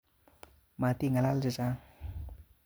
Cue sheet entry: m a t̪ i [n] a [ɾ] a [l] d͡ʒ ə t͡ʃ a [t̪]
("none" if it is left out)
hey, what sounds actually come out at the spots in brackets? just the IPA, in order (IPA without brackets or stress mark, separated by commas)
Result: ŋ, l, l, none